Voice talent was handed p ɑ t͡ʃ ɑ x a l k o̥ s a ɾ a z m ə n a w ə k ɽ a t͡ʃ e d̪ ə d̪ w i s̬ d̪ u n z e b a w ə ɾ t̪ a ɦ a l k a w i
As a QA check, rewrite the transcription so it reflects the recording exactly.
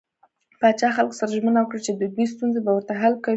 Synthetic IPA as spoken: p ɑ t͡ʃ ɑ x a l k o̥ s a ɾ a ʒ m ə n a w ə k ɽ a t͡ʃ e d̪ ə d̪ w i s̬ t̪ u n z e b a w ə ɾ t̪ a ɦ a l k a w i

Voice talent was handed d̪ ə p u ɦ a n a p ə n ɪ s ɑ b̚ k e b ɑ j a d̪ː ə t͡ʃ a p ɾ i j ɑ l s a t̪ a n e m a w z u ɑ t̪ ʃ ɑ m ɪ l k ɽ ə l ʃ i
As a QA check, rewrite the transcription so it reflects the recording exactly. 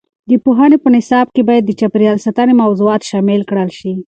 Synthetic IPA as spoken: d̪ ə p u ɦ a n e p ə n ɪ s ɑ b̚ k e b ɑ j a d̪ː ə t͡ʃ a p ɾ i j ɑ l s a t̪ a n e m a w z u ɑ t̪ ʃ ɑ m ɪ l k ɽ ə l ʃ i

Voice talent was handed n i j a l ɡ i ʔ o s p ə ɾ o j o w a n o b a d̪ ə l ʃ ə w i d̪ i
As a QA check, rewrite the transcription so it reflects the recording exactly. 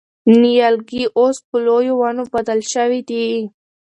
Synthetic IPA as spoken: n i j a l ɡ i ʔ o s p ə l o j o w a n o b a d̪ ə l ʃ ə w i d̪ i

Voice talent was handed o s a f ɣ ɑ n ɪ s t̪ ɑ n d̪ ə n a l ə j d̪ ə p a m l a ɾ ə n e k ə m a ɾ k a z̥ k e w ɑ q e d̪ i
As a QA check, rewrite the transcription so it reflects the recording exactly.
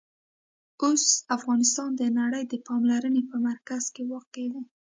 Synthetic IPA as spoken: o s a f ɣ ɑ n ɪ s t̪ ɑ n d̪ ə n a ɽ ə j d̪ ə p ɑ m l a ɾ ə n e p ə m a ɾ k a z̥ k e w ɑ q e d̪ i

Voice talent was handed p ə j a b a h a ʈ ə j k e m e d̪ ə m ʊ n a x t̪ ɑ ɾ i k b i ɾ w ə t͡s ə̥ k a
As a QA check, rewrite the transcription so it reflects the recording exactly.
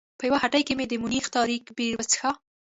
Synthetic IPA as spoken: p ə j a w a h a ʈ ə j k e m e d̪ ə m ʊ n i x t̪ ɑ ɾ i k b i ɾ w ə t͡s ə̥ x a

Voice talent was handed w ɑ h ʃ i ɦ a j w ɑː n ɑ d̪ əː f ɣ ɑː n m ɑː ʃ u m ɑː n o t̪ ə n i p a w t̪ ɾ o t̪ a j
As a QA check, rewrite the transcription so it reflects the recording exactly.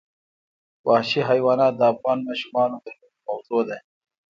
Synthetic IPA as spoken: w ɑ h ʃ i ɦ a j w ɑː n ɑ d̪ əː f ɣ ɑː n m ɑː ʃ u m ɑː n o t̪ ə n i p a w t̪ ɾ o d̪ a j

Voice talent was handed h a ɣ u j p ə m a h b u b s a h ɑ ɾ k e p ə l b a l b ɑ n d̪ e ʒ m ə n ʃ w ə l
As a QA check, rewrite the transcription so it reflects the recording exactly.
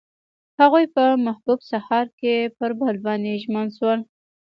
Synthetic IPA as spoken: h a ɣ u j p ə m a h b u b s a h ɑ ɾ k e p ə ɾ b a l b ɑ n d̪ e ʒ m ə n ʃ w ə l

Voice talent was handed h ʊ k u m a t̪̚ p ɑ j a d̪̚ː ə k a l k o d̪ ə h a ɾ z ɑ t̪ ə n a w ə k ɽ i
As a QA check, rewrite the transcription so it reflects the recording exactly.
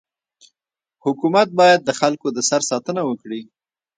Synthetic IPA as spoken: h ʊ k u m a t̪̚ b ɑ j a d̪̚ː ə x a l k o d̪ ə s a ɾ s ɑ t̪ ə n a w ə k ɽ i

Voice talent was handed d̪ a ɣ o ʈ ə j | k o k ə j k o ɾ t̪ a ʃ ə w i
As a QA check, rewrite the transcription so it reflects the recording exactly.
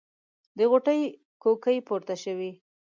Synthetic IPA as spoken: d̪ ə ɣ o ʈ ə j | k o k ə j p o ɾ t̪ a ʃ ə w i

